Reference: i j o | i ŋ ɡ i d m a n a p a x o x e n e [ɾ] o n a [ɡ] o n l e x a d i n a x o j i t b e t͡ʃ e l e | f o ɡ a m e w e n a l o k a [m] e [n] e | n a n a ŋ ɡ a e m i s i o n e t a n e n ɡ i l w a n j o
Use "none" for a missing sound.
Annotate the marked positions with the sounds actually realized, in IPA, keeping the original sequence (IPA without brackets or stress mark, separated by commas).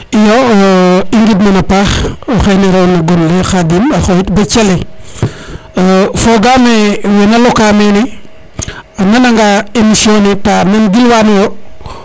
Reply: ɾ, ɡ, m, n